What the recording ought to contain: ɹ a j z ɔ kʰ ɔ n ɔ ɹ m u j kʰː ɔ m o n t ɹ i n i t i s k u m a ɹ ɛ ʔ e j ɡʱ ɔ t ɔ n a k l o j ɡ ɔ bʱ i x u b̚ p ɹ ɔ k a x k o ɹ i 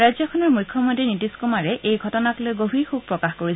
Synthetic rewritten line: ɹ a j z ɔ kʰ ɔ n ɔ ɹ m u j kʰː ɔ m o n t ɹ i n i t i s k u m a ɹ ɛ ʔ e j ɡʱ ɔ t ɔ n a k l o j ɡ o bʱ i x u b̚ p ɹ ɔ k a x k o ɹ i